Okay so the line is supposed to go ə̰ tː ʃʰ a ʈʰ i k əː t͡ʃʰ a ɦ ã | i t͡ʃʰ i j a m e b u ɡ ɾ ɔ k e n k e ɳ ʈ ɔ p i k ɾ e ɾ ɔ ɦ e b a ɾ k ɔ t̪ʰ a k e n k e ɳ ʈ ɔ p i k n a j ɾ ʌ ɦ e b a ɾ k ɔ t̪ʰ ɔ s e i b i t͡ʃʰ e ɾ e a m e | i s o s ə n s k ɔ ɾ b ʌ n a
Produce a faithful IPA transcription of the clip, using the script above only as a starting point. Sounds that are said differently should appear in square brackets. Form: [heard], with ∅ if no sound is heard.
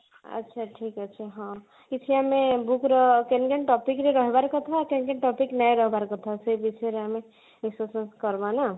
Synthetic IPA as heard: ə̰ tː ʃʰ a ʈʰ i k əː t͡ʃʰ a ɦ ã | i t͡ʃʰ i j a m e b u [k] ɾ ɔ k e n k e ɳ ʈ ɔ p i k ɾ e ɾ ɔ ɦ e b a ɾ k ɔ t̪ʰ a k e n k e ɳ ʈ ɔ p i k n a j ɾ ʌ ɦ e b a ɾ k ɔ t̪ʰ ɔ s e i b i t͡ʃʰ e ɾ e a m e | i s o s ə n s k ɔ ɾ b [a] n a